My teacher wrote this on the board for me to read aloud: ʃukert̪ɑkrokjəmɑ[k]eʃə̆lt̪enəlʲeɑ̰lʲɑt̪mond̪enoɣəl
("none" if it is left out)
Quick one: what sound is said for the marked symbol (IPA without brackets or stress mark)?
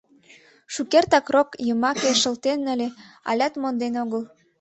k